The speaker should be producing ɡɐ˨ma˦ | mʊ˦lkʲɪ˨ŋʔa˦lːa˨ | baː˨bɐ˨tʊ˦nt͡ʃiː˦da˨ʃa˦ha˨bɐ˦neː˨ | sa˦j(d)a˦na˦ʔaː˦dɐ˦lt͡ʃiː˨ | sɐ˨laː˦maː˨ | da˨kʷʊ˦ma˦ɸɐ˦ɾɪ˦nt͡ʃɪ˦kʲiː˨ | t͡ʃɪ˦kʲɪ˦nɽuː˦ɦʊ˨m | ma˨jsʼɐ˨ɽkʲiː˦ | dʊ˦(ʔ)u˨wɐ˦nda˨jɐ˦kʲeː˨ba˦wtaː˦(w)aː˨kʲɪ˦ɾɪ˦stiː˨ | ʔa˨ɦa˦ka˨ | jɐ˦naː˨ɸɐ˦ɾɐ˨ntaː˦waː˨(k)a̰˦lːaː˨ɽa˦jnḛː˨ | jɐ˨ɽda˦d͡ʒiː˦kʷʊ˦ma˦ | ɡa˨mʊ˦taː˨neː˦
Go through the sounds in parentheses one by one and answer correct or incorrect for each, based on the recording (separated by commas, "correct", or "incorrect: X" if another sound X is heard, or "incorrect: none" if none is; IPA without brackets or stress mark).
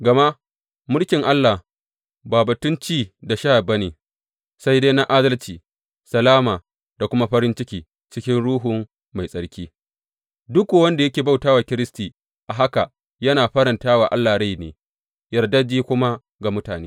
correct, incorrect: k, correct, incorrect: ʔ